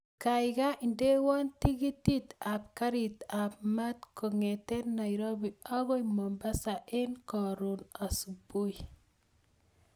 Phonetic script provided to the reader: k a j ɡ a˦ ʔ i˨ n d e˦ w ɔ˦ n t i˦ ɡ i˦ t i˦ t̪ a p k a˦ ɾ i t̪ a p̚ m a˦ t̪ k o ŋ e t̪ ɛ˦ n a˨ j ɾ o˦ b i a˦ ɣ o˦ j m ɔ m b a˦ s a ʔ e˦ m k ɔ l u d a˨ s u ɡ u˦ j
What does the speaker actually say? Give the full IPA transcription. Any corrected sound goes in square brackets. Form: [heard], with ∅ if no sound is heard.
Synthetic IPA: k a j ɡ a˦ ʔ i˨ n d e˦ w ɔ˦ n t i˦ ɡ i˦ t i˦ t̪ a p k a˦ ɾ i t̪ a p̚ m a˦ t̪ k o ŋ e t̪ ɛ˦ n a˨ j ɾ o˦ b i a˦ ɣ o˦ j m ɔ m b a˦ s a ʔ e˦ [n] k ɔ [ɾ] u [n] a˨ s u [b] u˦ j